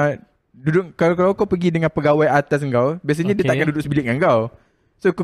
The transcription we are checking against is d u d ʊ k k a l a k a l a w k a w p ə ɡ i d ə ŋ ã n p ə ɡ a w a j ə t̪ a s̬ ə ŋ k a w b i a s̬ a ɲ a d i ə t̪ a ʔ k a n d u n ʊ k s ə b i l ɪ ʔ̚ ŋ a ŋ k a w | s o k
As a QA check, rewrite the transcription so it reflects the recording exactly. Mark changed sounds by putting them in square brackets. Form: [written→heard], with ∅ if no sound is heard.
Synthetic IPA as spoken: d u d ʊ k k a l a k a l a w k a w p ə ɡ i d ə ŋ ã n p ə ɡ a w a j [ə→a] t̪ a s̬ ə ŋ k a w b i a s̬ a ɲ a d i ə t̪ a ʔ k a n d u [n→d] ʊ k s ə b i l ɪ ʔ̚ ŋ a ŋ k a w | s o k